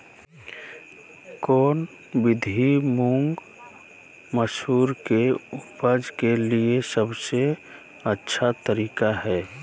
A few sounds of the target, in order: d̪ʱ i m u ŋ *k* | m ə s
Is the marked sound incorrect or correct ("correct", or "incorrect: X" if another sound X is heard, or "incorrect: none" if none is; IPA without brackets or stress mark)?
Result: incorrect: ɡ